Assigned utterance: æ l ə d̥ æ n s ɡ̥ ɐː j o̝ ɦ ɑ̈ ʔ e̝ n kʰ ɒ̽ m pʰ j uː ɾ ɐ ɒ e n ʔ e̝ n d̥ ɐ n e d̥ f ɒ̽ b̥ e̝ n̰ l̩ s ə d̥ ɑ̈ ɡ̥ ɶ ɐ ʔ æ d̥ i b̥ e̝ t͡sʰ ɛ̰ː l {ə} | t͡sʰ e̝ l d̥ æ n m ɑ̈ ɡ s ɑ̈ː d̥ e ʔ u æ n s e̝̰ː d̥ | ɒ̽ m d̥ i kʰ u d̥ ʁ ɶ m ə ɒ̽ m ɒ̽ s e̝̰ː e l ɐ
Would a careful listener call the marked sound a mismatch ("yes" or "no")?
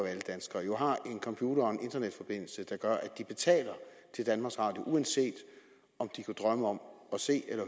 yes